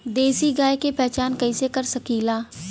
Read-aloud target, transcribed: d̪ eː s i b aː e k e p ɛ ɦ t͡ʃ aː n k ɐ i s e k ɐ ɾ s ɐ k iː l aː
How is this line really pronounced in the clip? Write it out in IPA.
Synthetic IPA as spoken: d̪ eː s i ɡ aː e k e p ɛ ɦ t͡ʃ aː n k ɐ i s e k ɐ ɾ s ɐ k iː l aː